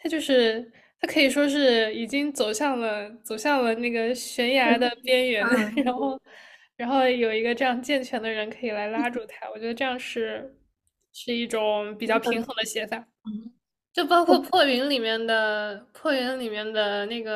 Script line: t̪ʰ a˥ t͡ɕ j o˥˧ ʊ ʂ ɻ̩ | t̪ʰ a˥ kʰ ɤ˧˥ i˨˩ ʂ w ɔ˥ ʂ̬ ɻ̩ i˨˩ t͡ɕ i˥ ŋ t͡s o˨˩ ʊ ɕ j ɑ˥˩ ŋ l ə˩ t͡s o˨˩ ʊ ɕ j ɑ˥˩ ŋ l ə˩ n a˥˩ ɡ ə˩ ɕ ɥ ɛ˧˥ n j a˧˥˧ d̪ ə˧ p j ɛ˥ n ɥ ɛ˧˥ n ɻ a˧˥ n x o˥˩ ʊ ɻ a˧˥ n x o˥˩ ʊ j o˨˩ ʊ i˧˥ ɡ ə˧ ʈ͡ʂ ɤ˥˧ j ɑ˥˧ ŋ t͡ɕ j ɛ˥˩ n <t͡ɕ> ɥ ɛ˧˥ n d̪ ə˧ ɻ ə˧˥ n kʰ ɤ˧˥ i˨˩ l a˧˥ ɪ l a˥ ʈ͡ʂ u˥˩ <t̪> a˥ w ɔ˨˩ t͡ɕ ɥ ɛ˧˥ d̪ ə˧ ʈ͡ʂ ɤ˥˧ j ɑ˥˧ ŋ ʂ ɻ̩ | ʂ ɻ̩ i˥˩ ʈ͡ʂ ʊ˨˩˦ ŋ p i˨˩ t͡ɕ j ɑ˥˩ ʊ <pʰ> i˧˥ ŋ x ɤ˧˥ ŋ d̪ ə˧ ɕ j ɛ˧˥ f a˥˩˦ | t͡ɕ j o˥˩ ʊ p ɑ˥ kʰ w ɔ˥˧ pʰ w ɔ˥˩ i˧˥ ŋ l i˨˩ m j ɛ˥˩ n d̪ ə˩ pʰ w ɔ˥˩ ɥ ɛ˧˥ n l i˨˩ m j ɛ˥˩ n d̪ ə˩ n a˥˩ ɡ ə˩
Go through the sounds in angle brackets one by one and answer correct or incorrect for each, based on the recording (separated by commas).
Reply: incorrect, incorrect, correct